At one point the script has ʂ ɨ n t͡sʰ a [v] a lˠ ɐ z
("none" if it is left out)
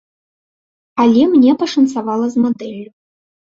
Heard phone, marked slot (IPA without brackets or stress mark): v